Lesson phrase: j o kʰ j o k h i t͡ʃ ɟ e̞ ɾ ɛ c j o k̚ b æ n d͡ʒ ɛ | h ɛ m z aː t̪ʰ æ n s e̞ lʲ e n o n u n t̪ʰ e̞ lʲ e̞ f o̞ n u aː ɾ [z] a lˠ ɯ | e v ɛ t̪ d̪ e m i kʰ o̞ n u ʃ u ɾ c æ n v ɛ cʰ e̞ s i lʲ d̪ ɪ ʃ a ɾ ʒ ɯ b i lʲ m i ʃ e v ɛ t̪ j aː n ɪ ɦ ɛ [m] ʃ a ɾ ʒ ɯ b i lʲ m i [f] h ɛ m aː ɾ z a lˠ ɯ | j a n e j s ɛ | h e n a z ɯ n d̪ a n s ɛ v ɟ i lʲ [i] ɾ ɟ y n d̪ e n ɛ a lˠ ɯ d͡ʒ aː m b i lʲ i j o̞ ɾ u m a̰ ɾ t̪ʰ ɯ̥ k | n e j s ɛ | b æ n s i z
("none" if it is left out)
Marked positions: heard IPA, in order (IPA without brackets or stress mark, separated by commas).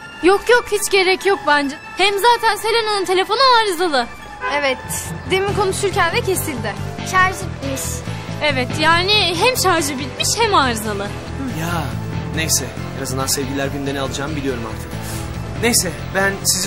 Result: z, m, ʃ, æ